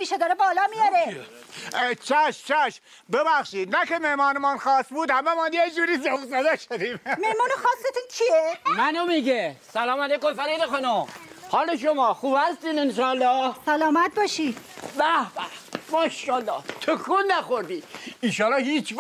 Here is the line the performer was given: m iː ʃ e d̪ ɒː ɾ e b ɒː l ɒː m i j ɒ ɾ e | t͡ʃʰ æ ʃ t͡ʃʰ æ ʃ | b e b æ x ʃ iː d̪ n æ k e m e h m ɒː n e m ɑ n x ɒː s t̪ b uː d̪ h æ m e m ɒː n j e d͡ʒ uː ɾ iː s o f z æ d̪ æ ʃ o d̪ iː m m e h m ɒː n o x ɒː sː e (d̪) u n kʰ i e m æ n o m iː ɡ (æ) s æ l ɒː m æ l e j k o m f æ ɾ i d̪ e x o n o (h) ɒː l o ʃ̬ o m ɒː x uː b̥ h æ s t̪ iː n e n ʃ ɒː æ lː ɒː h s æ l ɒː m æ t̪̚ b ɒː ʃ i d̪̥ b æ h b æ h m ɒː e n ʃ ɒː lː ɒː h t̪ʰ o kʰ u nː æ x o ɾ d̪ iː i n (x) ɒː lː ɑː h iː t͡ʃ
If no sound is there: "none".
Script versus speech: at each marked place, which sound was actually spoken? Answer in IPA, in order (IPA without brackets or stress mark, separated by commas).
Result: t̪, e, h, ʃ